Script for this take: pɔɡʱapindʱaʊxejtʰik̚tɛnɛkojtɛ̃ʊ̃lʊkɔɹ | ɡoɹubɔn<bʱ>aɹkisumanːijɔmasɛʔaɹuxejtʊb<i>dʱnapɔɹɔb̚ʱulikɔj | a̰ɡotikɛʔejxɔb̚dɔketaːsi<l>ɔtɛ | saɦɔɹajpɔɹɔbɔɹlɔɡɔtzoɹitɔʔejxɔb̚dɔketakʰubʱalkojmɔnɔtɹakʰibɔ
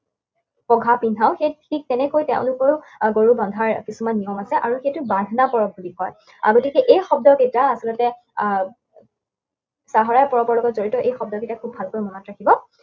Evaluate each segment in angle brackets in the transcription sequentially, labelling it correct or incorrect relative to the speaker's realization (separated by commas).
incorrect, incorrect, correct